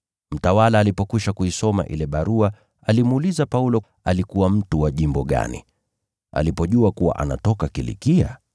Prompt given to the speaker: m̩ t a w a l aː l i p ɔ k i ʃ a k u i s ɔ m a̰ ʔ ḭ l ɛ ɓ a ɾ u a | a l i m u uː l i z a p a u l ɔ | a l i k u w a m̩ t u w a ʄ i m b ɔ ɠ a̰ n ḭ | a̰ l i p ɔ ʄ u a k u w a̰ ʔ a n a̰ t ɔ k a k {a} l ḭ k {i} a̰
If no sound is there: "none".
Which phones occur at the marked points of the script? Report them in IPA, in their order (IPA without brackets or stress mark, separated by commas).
i, i